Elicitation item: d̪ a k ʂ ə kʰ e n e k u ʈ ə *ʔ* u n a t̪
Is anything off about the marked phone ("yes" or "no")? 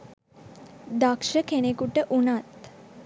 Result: no